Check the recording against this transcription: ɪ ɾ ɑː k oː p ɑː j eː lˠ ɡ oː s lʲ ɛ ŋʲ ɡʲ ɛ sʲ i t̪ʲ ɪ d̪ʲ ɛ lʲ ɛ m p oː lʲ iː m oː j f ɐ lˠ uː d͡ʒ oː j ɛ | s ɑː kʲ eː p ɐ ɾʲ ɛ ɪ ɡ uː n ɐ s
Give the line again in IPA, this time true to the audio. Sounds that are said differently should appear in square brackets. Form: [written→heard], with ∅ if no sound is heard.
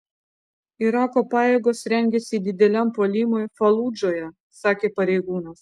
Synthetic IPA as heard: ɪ ɾ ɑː k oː p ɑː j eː [lˠ→∅] ɡ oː s [lʲ→ɾʲ] ɛ ŋʲ ɡʲ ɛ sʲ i [t̪ʲ→d̪ʲ] ɪ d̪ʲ ɛ lʲ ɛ m p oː lʲ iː m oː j f ɐ lˠ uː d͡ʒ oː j ɛ | s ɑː kʲ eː p ɐ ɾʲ ɛ ɪ ɡ uː n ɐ s